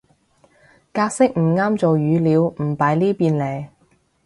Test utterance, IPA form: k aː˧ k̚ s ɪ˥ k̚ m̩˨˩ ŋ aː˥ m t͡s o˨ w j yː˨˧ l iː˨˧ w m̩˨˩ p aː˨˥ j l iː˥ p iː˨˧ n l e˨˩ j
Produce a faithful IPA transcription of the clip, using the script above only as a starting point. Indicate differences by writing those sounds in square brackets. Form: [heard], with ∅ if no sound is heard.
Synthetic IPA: k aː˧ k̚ s ɪ˥ k̚ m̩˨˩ ŋ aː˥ m t͡s o˨ w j yː˨˧ l iː˨˧ w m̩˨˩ p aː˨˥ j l iː˥ p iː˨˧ n l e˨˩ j